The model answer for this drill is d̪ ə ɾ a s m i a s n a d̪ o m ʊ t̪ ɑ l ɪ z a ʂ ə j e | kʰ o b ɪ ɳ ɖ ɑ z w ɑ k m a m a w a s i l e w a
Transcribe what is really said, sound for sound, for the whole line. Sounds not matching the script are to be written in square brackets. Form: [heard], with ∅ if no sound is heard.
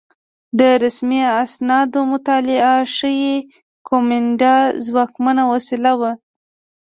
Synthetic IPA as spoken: d̪ ə ɾ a s m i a s n [ɑ] d̪ o m ʊ t̪ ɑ l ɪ [∅] a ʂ ə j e | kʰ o [m] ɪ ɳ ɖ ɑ z w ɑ k m a [n] a w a s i l [a] w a